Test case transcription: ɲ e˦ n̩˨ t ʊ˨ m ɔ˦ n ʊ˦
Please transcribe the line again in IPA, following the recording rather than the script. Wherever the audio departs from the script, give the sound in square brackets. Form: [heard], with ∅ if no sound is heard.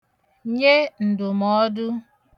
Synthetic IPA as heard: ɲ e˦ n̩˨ [d] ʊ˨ m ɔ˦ [d] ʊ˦